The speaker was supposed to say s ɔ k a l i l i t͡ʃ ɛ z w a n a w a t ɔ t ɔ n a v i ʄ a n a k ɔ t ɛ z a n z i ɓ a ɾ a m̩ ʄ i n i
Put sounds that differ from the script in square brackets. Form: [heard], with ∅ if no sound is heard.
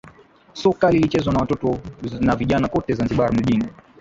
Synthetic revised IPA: s ɔ k a l i l i t͡ʃ ɛ z w a n a w a t ɔ t ɔ n a v i ʄ a n a k ɔ t ɛ z a n z i ɓ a ɾ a m̩ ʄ i n i